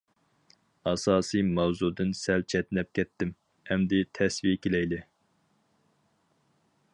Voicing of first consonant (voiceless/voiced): voiceless